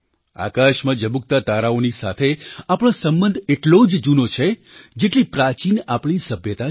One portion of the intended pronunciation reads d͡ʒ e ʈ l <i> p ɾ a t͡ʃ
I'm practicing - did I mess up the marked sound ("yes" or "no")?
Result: no